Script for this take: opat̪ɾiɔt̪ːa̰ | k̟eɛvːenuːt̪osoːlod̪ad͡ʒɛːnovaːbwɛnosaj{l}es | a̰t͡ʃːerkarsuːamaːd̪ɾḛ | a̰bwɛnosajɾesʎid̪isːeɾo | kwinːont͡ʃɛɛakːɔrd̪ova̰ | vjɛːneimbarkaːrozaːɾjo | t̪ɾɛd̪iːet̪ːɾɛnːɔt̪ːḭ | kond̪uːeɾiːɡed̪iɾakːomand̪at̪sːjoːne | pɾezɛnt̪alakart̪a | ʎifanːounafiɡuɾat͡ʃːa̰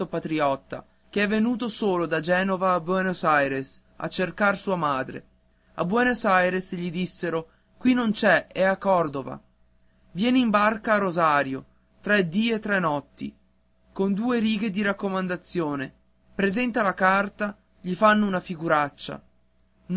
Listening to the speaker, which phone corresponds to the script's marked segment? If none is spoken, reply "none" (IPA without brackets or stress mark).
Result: ɾ